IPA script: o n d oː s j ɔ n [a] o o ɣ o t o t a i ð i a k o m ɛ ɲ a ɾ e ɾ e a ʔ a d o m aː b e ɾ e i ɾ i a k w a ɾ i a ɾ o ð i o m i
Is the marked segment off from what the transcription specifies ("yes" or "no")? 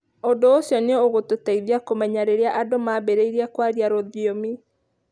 yes